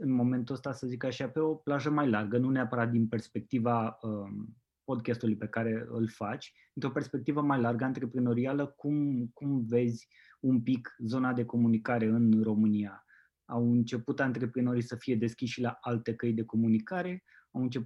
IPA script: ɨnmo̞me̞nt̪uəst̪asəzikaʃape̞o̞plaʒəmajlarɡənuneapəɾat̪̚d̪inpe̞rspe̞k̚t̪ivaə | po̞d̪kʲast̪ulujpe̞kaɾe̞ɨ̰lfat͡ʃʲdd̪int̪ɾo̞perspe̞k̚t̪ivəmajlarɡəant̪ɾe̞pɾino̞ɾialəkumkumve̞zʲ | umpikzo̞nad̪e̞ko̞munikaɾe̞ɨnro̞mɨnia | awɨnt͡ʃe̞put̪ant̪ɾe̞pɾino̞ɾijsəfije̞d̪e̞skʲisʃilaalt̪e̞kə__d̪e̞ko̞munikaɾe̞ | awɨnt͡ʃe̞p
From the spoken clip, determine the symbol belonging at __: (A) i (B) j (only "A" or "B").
B